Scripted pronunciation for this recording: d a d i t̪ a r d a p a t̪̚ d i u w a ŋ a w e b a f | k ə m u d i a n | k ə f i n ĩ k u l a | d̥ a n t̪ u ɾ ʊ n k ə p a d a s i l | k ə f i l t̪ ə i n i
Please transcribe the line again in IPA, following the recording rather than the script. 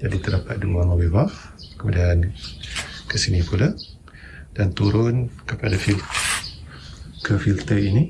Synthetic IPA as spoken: d͡ʒ a d i t̪ ə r d a p a t̪̚ d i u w a ŋ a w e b a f | k ə m u d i a n | k ə s i n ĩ p u l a | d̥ a n t̪ u ɾ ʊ n k ə p a d a f i l | k ə f i l t̪ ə i n i